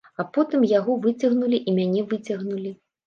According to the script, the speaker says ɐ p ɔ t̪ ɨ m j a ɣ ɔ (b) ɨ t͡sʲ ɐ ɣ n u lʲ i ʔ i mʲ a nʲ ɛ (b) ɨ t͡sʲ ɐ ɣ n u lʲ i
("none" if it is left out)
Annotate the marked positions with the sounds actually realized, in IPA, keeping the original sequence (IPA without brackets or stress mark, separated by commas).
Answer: v, v